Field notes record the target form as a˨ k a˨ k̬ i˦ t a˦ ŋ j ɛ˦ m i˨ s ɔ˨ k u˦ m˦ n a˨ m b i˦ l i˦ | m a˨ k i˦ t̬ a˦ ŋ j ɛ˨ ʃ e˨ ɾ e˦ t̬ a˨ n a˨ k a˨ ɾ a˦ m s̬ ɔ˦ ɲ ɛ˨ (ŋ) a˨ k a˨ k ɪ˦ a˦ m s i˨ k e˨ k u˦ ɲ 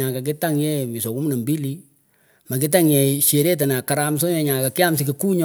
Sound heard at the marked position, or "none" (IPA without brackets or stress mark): ɲ